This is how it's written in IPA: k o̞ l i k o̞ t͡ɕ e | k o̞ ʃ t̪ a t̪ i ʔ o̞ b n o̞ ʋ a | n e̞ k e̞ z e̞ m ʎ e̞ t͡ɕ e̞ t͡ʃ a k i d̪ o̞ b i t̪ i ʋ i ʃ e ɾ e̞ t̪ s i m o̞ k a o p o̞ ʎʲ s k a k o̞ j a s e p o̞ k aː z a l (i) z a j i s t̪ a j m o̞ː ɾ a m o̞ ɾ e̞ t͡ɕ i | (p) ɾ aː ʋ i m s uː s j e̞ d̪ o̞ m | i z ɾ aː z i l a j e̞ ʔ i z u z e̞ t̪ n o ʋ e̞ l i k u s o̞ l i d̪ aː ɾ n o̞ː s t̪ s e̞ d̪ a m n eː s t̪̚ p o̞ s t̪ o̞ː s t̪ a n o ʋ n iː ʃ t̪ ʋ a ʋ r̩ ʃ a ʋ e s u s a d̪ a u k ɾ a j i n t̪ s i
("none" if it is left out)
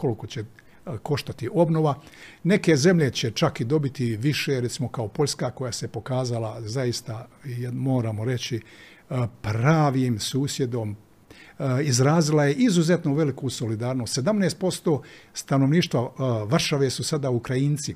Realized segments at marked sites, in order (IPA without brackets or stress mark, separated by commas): a, p